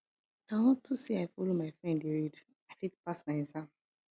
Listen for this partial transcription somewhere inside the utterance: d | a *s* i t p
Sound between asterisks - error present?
yes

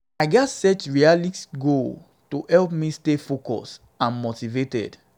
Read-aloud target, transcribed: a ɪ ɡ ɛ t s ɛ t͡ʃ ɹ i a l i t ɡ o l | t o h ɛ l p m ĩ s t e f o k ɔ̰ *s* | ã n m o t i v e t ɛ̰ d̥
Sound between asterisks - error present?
no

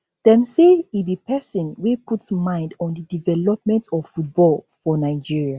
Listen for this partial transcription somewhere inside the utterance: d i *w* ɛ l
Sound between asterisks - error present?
yes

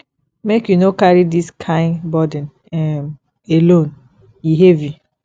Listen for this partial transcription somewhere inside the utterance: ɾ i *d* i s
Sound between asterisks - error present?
no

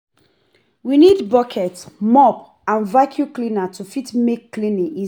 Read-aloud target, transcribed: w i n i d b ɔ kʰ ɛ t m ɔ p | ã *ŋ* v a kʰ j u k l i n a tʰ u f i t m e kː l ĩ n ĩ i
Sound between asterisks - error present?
yes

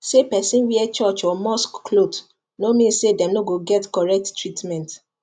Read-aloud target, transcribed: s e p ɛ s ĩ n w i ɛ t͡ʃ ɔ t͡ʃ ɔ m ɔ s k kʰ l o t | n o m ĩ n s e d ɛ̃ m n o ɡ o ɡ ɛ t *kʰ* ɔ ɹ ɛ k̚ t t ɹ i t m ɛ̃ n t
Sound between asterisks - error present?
yes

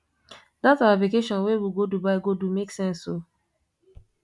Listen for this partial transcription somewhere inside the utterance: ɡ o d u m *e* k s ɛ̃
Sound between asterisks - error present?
no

